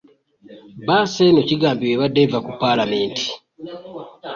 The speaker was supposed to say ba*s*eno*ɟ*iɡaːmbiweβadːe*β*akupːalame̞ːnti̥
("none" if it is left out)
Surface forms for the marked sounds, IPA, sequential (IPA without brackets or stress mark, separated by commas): s, c, v